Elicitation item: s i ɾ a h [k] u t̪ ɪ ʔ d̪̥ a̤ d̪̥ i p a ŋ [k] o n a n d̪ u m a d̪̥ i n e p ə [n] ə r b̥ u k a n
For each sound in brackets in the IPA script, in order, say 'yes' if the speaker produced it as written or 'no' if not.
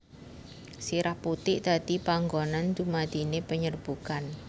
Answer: no, no, no

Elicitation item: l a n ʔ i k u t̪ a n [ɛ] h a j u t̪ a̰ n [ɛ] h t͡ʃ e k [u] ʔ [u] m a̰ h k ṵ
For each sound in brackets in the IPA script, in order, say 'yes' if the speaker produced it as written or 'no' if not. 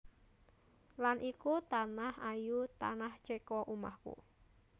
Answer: no, no, no, yes

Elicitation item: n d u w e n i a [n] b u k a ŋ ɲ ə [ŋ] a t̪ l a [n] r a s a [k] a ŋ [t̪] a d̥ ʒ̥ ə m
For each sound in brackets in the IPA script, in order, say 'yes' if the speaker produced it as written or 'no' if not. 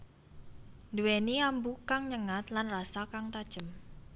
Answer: no, yes, yes, yes, yes

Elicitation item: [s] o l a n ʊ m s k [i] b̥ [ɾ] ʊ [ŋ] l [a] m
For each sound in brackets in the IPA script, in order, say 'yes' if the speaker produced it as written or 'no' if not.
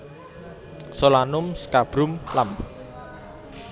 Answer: yes, no, yes, no, yes

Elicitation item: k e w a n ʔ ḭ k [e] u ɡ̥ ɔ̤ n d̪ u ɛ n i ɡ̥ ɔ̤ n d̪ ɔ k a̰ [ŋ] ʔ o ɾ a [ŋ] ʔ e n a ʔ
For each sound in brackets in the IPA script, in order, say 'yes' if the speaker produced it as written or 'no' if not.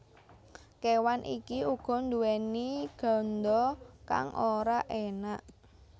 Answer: no, yes, no

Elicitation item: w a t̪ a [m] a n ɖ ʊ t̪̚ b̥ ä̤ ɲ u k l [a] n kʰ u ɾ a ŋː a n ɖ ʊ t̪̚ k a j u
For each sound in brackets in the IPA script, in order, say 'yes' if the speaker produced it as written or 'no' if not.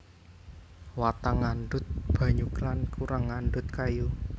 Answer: no, yes

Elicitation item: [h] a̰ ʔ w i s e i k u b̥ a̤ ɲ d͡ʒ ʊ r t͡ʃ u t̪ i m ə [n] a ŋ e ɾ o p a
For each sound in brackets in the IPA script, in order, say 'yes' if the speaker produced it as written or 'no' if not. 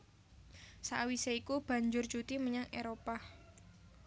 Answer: no, no

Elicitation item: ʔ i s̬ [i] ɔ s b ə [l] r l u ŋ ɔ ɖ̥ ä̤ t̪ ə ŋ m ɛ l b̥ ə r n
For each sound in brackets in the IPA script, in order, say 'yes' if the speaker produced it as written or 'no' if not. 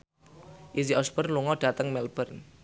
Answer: yes, no

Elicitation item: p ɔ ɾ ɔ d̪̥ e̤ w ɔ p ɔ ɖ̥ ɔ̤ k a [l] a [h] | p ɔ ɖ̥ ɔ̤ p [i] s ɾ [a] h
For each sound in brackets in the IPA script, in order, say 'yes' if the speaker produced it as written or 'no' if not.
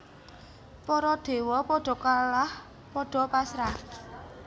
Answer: yes, yes, no, yes

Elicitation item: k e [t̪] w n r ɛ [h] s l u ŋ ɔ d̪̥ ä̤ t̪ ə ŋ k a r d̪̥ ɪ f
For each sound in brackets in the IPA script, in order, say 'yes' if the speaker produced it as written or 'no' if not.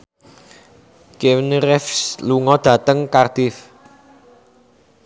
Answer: no, no

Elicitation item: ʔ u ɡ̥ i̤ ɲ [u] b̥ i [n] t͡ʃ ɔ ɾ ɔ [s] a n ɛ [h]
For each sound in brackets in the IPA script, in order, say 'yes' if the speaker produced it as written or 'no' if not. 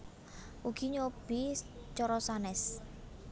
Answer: no, no, yes, no

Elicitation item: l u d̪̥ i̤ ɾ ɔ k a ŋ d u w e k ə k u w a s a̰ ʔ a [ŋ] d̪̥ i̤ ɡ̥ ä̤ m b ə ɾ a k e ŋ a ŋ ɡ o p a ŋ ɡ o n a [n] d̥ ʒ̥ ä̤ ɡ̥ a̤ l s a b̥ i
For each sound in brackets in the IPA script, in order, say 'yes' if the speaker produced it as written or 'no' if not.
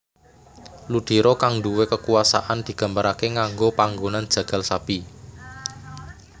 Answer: no, yes

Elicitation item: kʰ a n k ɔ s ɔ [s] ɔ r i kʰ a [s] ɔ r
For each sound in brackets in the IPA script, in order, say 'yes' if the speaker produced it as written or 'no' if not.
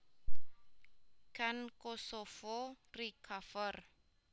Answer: no, no

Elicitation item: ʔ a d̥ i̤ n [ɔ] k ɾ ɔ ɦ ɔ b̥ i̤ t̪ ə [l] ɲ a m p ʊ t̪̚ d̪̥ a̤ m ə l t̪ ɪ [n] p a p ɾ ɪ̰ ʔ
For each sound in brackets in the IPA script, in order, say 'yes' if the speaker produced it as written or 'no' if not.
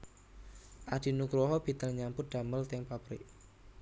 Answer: no, yes, no

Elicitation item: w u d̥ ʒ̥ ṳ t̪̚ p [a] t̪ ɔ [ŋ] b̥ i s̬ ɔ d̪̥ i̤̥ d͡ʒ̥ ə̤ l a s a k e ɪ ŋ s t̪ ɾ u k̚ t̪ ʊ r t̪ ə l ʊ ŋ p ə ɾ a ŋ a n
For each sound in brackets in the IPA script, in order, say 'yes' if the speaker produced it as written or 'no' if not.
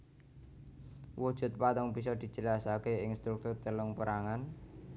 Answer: yes, yes

